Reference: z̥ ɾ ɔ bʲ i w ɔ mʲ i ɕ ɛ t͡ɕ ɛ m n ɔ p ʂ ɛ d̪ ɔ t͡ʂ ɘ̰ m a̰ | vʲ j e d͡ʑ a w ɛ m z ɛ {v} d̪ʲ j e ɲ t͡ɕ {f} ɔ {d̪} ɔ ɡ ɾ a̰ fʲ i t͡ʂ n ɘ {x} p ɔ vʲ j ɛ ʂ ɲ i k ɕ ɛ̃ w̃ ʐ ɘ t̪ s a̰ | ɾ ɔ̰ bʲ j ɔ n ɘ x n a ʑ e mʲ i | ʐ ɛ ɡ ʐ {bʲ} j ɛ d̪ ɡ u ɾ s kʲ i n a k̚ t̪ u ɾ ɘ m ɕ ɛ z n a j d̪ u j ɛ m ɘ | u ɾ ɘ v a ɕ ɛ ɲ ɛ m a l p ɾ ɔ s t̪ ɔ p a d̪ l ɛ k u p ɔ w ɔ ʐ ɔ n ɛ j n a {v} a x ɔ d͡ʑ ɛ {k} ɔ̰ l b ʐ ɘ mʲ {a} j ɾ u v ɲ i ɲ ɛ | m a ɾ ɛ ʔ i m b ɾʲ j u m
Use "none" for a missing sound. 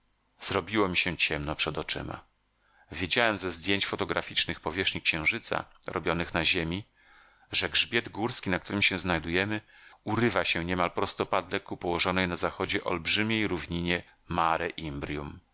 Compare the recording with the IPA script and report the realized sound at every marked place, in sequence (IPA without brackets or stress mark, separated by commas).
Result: z, f, t̪, x, bʲ, z, ʔ, e